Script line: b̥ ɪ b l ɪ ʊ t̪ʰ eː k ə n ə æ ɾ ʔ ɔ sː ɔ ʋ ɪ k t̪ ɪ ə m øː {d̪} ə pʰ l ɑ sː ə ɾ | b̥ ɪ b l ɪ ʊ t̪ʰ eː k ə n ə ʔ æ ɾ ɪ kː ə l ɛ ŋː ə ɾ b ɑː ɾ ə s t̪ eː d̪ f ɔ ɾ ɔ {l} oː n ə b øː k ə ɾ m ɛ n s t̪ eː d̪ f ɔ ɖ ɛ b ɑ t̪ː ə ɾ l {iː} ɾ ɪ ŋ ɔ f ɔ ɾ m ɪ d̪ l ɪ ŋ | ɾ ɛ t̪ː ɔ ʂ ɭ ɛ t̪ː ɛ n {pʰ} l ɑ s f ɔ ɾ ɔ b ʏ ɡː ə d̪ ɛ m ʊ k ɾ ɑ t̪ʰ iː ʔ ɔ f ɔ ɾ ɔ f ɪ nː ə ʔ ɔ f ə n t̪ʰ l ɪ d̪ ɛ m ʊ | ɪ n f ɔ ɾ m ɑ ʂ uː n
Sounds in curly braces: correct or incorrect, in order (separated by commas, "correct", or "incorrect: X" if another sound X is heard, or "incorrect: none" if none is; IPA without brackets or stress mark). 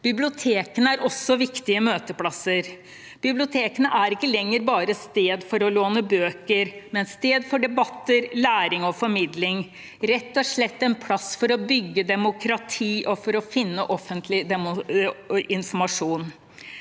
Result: incorrect: t̪, correct, incorrect: æː, correct